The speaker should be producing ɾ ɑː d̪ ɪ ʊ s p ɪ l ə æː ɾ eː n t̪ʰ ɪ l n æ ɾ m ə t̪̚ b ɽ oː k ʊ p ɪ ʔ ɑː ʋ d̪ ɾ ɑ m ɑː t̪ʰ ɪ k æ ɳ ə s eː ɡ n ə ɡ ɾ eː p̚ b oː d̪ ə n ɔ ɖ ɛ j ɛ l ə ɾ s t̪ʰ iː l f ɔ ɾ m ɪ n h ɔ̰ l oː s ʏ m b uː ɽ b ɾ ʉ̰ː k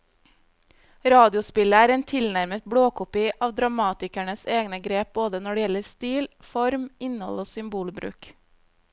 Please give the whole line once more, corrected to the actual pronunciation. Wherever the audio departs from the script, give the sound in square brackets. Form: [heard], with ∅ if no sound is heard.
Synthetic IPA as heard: ɾ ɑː d̪ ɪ ʊ s p ɪ l ə æː ɾ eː n t̪ʰ ɪ l n æ ɾ m ə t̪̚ b ɽ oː k ʊ p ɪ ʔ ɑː ʋ d̪ ɾ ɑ m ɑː [t̪] ɪ k æ ɳ ə s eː ɡ n ə ɡ ɾ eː p̚ b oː d̪ ə n ɔ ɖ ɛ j ɛ l ə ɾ s [t̪] iː l f ɔ ɾ m ɪ n h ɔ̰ l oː s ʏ m b uː [l] b ɾ ʉ̰ː k